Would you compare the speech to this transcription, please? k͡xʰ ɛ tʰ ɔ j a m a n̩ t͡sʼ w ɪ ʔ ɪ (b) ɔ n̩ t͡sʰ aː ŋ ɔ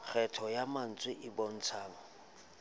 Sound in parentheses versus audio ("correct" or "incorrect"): correct